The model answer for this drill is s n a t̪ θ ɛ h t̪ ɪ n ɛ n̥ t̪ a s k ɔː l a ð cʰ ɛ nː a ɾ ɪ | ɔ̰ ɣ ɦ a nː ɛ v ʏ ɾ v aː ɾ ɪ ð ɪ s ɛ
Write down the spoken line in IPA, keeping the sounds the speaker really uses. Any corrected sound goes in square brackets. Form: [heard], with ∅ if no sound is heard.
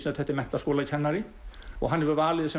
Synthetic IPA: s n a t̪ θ ɛ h t̪ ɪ [m] ɛ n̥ t̪ a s k ɔː l a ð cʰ ɛ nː a ɾ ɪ | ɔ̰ ɣ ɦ a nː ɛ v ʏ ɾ v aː [l] ɪ ð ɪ s ɛ